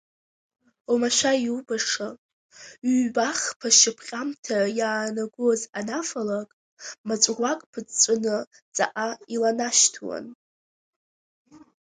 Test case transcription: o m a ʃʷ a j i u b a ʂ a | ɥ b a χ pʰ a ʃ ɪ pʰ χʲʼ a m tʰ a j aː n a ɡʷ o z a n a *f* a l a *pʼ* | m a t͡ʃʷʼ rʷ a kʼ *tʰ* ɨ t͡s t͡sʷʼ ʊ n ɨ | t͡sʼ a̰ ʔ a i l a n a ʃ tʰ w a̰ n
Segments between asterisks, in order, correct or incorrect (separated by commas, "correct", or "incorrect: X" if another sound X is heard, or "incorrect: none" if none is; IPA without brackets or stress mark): correct, incorrect: kʼ, incorrect: pʰ